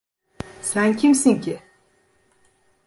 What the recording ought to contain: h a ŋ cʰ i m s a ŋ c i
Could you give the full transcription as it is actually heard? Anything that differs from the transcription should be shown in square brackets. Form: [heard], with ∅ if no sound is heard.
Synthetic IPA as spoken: [s] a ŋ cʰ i m s [i] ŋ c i